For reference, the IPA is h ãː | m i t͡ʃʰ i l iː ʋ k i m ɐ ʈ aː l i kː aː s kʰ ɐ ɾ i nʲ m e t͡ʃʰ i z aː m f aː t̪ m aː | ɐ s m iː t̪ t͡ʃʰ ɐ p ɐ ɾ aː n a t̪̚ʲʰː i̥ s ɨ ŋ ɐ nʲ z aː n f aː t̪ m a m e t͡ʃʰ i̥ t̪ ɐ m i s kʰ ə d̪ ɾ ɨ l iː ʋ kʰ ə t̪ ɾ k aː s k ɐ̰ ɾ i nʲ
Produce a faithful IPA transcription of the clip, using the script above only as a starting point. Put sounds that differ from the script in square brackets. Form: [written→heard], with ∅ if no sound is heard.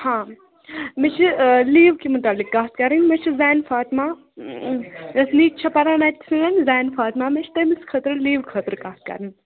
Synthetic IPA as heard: h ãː | m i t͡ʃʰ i l iː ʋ k i m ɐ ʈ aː l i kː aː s [kʰ→k] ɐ ɾ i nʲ m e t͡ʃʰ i z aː [m→n] f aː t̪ m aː | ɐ s [m→n] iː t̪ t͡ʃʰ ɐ p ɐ ɾ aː n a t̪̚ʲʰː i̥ s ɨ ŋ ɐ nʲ z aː n f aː t̪ m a m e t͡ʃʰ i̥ t̪ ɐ m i s kʰ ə [d̪→t̪] ɾ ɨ l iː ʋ kʰ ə t̪ ɾ k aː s k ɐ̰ ɾ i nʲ